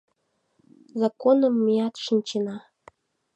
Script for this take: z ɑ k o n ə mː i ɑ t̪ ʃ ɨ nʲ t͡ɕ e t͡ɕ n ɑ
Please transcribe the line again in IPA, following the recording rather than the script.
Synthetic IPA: z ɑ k o n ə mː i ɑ t̪ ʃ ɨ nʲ t͡ɕ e n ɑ